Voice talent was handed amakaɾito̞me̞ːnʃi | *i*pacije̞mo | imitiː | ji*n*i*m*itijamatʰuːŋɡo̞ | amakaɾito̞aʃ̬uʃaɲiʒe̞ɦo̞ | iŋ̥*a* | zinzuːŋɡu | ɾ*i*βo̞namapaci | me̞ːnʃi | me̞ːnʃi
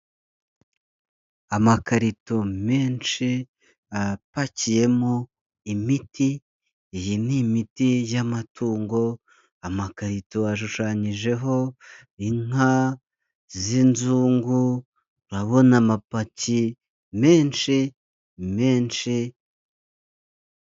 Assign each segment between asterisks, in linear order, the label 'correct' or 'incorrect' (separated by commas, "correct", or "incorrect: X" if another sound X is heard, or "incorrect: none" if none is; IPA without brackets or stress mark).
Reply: incorrect: a, correct, correct, correct, incorrect: a